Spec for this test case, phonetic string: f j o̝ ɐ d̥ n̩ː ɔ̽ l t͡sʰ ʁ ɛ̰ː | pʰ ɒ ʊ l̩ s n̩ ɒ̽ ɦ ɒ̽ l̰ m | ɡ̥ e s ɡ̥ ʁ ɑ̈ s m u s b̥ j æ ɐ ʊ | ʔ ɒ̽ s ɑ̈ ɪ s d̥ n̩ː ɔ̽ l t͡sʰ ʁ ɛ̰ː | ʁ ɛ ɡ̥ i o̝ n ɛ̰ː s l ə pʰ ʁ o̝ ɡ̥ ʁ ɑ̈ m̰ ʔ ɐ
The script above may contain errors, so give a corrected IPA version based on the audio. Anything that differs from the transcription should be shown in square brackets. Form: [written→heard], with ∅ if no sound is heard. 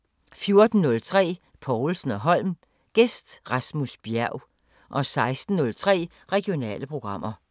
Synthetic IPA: f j o̝ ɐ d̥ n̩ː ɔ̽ l t͡sʰ ʁ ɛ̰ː | pʰ ɒ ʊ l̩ s n̩ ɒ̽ ɦ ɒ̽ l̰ m | ɡ̥ e s [ɡ̥→d̥] ʁ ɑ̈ s m u s b̥ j æ ɐ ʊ | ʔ ɒ̽ s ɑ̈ ɪ s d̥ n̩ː ɔ̽ l t͡sʰ ʁ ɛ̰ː | ʁ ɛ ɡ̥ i o̝ n ɛ̰ː [s→∅] l ə pʰ ʁ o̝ ɡ̥ ʁ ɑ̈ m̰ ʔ ɐ